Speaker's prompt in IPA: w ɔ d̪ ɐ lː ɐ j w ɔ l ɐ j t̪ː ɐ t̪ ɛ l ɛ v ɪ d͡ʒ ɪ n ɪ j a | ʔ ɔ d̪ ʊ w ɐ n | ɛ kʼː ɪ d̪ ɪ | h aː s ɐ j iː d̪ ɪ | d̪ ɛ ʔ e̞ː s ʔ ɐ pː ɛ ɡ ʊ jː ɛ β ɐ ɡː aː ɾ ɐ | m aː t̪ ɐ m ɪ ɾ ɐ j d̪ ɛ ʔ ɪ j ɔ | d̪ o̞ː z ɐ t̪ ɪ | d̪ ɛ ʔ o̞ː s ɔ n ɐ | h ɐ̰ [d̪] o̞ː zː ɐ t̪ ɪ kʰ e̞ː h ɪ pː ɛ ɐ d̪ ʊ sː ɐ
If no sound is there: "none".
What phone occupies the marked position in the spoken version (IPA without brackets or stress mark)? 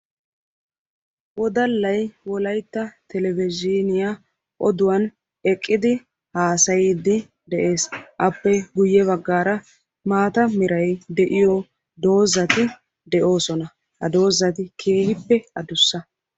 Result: d̪